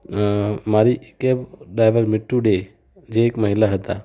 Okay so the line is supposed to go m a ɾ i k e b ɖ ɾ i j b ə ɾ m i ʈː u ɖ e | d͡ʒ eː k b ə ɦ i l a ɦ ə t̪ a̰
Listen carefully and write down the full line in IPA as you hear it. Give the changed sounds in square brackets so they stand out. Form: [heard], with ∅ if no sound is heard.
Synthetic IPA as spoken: m a ɾ i k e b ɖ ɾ [a] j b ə ɾ m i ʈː u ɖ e | d͡ʒ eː k [m] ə ɦ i l a ɦ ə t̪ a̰